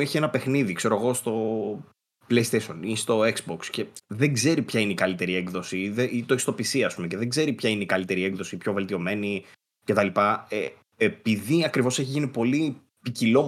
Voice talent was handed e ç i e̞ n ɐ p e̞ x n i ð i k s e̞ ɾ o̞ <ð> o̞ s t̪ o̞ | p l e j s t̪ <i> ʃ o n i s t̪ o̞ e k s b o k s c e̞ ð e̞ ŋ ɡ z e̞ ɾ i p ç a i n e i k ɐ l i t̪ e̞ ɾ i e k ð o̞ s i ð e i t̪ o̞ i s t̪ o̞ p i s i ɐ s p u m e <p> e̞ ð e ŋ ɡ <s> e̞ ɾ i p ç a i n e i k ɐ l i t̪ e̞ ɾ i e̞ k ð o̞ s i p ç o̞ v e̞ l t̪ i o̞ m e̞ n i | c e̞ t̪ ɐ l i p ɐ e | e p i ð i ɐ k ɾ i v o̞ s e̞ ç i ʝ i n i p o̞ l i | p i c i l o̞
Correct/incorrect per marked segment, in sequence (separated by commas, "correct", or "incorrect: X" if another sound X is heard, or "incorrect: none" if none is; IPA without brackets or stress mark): incorrect: ɣ, incorrect: e, incorrect: c, incorrect: z